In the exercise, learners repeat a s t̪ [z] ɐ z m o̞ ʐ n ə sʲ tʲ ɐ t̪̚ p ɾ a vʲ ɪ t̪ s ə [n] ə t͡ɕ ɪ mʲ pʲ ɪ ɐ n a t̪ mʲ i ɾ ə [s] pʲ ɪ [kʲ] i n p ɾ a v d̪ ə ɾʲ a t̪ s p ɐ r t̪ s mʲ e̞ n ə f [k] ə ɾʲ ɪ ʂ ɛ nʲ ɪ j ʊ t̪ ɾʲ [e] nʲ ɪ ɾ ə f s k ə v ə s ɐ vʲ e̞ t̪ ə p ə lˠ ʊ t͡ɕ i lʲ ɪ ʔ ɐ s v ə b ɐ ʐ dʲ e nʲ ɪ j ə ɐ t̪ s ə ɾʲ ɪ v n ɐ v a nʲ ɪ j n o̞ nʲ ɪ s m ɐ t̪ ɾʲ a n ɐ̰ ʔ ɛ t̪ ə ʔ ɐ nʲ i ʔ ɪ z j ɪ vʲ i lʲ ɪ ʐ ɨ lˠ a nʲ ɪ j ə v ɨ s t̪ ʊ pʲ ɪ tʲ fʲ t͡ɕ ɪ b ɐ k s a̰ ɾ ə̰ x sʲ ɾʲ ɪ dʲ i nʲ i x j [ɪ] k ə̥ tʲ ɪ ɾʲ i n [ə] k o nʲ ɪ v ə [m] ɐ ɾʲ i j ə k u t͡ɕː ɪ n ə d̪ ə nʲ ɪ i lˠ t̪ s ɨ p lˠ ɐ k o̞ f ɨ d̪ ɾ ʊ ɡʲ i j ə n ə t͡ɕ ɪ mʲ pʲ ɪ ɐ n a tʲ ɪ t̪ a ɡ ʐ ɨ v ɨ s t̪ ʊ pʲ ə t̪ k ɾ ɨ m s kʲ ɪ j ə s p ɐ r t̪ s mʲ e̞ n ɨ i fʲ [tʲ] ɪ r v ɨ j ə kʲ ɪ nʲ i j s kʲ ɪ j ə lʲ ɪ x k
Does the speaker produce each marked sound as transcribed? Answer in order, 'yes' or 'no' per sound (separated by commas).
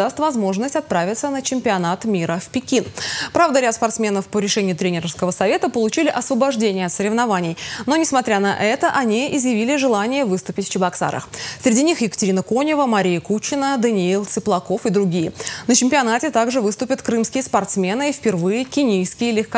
no, yes, no, yes, no, yes, yes, yes, yes, no